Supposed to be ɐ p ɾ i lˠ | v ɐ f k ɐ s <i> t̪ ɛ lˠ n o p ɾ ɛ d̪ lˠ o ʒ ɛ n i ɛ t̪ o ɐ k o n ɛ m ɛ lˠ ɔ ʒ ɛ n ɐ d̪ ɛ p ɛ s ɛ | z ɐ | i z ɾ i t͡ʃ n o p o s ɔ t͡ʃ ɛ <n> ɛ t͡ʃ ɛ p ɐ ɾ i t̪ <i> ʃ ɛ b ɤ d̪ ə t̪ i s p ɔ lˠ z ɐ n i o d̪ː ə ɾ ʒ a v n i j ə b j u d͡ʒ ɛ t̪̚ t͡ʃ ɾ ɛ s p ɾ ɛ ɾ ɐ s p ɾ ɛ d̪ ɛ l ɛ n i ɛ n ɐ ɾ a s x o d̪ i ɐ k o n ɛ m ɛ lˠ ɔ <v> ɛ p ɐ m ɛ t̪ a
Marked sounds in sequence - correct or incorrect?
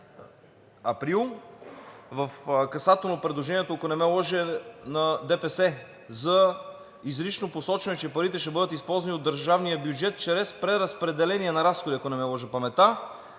incorrect, correct, incorrect, incorrect

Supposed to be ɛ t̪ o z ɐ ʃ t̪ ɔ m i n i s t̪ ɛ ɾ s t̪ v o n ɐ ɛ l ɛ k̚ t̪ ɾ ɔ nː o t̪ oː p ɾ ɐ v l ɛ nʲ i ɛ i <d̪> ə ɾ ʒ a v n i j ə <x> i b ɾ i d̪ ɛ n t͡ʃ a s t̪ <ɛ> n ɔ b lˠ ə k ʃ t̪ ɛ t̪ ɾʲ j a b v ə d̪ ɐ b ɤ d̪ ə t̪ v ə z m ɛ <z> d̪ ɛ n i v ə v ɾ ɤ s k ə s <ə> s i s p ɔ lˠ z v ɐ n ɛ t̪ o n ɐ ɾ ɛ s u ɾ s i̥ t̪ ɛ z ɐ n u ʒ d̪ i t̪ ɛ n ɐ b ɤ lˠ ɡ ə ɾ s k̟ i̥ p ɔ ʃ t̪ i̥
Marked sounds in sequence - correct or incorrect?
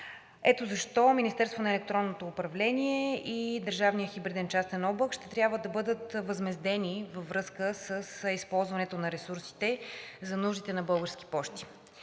correct, correct, correct, correct, correct

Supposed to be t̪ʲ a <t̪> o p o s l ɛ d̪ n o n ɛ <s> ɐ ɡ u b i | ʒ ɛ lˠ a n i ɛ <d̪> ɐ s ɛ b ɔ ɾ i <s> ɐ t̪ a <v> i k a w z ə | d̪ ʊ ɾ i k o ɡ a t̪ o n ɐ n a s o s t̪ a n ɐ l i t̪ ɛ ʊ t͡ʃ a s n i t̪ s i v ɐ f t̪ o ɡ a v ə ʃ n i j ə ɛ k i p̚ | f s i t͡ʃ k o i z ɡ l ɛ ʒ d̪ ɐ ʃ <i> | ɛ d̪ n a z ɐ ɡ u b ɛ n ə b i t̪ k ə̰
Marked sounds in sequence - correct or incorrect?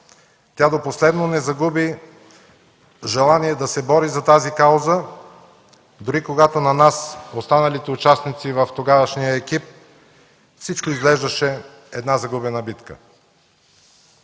incorrect, incorrect, correct, incorrect, incorrect, incorrect

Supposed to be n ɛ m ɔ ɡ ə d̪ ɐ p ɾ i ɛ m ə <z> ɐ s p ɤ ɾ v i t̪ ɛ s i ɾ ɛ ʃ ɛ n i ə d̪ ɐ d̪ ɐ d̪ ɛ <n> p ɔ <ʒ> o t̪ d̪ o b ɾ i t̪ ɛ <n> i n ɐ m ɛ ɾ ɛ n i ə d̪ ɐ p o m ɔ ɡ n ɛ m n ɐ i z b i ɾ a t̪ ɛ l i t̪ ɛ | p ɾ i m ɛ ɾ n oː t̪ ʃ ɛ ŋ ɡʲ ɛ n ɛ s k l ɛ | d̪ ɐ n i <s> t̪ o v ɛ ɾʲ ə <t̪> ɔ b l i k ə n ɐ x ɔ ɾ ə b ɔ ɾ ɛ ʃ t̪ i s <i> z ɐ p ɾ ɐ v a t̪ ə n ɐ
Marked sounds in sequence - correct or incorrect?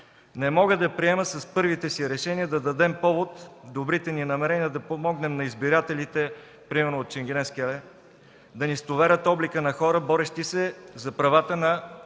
incorrect, incorrect, incorrect, correct, correct, correct, incorrect

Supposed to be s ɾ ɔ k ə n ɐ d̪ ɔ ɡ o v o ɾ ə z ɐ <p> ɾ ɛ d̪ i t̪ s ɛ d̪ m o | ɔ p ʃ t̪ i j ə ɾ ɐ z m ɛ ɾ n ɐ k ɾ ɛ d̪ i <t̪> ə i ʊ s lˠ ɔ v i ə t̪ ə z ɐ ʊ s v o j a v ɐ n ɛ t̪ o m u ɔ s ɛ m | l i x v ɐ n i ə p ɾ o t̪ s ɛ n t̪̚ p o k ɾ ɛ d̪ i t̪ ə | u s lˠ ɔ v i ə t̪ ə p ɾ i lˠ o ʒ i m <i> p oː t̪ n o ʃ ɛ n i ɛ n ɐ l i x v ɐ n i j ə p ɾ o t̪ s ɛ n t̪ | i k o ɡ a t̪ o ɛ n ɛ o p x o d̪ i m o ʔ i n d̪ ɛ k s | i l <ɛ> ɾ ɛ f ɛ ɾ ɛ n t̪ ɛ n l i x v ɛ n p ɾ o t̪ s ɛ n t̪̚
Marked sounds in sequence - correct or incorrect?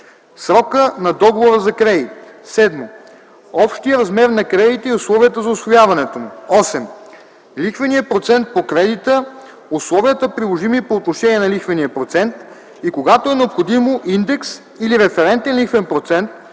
incorrect, correct, correct, incorrect

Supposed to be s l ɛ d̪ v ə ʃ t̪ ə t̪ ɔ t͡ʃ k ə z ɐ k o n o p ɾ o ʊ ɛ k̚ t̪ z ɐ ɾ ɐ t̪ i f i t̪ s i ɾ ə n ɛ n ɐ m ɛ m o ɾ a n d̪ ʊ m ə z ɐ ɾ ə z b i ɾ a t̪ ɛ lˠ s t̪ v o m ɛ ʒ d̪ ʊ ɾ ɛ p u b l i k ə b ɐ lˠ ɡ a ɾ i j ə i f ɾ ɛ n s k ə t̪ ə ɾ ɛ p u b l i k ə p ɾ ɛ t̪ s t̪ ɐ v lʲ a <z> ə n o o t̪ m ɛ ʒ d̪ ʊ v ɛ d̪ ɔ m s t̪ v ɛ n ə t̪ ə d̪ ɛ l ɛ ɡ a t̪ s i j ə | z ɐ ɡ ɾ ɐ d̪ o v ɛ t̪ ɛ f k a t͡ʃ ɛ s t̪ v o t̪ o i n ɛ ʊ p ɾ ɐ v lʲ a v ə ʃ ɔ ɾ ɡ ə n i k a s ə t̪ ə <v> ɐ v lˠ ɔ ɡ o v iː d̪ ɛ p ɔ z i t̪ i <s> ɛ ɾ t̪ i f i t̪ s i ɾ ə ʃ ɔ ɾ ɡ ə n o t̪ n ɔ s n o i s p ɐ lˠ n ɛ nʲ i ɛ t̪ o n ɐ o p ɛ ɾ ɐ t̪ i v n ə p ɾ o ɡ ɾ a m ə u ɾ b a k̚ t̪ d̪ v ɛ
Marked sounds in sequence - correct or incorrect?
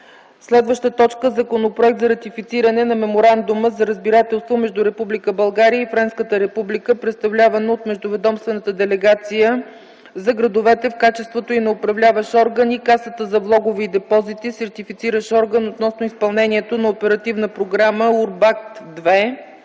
incorrect, incorrect, correct

